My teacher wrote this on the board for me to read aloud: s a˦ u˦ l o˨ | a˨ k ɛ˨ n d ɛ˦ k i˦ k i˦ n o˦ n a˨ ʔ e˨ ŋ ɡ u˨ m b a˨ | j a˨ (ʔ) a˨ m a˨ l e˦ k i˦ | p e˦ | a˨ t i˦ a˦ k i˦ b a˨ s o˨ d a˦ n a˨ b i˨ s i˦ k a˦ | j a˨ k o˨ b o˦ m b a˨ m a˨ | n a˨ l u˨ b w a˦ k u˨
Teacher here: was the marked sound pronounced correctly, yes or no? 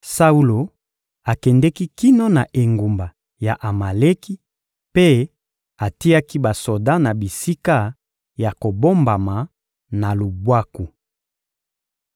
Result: yes